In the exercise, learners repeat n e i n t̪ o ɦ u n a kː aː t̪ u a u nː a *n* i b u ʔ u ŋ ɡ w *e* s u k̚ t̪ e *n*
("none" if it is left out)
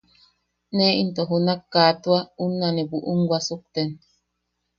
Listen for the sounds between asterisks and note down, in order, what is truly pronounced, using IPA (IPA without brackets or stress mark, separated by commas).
n, a, n